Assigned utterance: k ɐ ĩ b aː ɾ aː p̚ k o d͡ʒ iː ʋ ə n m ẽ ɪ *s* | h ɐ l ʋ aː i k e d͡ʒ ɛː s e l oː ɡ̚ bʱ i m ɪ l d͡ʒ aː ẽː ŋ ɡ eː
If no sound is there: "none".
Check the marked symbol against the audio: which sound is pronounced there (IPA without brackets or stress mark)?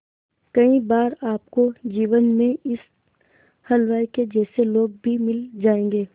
s